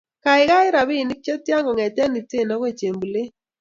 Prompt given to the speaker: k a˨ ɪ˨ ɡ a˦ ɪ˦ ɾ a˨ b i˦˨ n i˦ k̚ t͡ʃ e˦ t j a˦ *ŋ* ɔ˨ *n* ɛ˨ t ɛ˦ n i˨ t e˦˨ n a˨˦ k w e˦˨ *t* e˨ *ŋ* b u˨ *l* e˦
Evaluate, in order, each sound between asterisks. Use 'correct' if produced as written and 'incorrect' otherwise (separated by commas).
correct, incorrect, incorrect, incorrect, correct